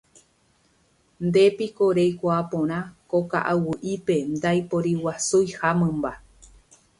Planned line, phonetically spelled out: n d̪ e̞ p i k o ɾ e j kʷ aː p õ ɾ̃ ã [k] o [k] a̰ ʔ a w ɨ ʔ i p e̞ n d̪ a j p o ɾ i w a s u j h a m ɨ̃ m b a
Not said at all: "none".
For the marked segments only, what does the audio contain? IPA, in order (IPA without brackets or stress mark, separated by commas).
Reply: k, k